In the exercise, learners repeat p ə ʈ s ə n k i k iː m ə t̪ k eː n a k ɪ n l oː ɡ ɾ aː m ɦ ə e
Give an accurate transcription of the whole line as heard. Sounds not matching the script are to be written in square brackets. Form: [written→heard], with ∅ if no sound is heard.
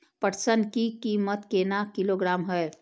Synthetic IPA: p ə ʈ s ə n k i k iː m ə t̪ k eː n a k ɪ [n→∅] l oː ɡ ɾ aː m ɦ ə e

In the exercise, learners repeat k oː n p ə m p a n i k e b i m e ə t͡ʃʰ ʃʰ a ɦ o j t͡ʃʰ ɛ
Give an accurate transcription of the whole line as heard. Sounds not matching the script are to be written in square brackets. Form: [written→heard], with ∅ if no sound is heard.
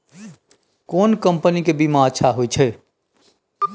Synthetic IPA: k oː n [p→k] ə m p [a→ə] n i k e b i m [e→a] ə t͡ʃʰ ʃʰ a ɦ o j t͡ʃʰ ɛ

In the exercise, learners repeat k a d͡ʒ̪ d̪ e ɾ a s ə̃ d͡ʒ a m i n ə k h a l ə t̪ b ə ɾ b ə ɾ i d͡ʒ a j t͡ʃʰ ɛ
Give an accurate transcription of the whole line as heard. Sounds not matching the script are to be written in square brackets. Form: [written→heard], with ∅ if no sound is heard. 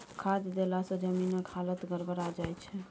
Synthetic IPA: [k→kʰ] a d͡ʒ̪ d̪ e [ɾ→l] a s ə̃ d͡ʒ [a→ə] m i n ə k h a l ə t̪ [b→ɡ] ə ɾ b ə ɾ [i→a] d͡ʒ a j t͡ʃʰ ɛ

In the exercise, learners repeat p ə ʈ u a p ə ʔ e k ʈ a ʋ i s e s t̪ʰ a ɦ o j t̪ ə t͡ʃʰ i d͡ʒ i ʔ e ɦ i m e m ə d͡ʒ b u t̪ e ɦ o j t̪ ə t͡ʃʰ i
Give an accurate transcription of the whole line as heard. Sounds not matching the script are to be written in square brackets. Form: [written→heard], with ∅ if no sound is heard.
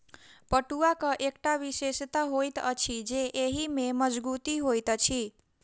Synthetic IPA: p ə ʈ u a [p→k] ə ʔ e k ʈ a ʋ i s e s [t̪ʰ→t̪] a ɦ o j t̪ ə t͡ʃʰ i d͡ʒ [i→e] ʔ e ɦ i m e m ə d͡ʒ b u t̪ [e→i] ɦ o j t̪ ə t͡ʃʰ i

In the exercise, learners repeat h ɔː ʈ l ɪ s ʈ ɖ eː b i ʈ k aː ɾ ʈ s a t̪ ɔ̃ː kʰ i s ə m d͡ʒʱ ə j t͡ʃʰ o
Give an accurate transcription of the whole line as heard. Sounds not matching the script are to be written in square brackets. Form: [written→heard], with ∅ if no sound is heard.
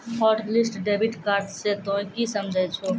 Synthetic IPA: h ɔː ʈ l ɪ s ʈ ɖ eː b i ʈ k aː ɾ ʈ s [a→e] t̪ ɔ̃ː [kʰ→k] i s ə m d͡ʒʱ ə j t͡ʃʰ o

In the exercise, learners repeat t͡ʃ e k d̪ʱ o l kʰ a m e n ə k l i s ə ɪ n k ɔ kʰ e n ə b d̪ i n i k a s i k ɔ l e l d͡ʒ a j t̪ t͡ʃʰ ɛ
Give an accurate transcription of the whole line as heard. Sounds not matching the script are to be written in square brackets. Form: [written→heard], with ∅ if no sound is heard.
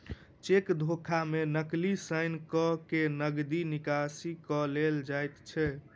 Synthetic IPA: t͡ʃ e k d̪ʱ o [l→∅] kʰ a m e n ə k l i s ə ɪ n k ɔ [kʰ→k] e n ə [b→ɡ] d̪ i n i k a s i k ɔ l e l d͡ʒ a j t̪ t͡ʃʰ ɛ

